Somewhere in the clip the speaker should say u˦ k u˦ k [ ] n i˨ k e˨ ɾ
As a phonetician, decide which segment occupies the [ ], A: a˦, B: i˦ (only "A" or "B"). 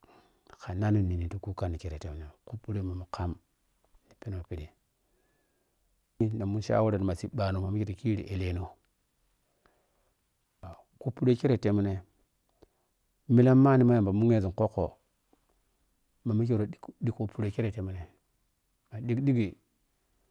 A